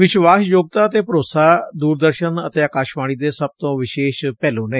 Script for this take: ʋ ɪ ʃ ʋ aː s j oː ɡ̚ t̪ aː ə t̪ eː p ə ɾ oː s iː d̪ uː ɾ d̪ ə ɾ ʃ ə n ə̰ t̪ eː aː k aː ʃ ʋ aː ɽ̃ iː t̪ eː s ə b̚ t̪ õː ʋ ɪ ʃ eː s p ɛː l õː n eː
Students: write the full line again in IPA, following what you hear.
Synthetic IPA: ʋ ɪ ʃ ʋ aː s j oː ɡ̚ t̪ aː ə t̪ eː p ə ɾ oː s aː d̪ uː ɾ d̪ ə ɾ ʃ ə n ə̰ t̪ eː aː k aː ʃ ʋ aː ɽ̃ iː d̪ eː s ə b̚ t̪ õː ʋ ɪ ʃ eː ʃ p ɛː l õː n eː